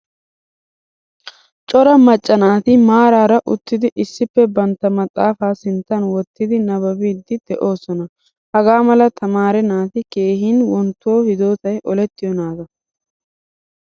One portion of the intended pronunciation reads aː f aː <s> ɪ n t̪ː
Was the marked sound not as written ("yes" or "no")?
no